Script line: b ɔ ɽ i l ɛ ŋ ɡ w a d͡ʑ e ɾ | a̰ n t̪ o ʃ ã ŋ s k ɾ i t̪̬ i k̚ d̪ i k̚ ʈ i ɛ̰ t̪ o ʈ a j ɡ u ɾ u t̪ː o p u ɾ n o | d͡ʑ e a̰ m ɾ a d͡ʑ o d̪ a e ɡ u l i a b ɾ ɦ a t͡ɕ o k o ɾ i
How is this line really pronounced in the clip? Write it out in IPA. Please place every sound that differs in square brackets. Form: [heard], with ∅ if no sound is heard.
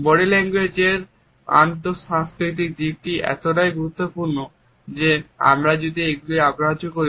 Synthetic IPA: b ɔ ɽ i l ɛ ŋ ɡ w [e] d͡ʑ e ɾ | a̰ n t̪ o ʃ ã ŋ s k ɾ i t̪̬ i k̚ d̪ i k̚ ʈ i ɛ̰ t̪ o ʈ a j ɡ u ɾ u t̪ː o p u ɾ n o | d͡ʑ e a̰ m ɾ a d͡ʑ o d̪ [i] e ɡ u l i a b ɾ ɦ a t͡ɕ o k o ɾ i